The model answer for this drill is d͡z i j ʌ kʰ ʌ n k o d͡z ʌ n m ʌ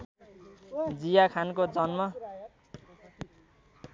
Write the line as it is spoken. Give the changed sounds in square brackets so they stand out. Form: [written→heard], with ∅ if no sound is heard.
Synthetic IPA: d͡z i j [ʌ→a] kʰ [ʌ→a] n k o d͡z ʌ n m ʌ